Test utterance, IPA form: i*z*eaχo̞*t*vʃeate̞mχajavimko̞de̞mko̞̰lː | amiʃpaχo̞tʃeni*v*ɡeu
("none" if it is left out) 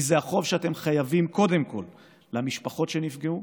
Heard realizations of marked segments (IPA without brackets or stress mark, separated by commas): z, none, f